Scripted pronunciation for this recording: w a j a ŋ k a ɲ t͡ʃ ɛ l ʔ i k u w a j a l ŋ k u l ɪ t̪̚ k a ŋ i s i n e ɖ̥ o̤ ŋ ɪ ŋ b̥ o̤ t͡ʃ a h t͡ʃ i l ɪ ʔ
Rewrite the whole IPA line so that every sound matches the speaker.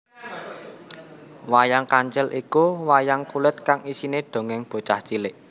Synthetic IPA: w a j a ŋ k a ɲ t͡ʃ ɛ l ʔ i k u w a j a ŋ k u l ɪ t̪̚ k a ŋ i s i n e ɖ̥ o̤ ŋ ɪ ŋ b̥ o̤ t͡ʃ a h t͡ʃ i l ɪ ʔ